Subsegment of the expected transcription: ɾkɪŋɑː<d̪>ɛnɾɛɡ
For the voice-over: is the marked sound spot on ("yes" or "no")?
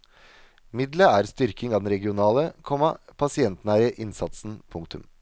yes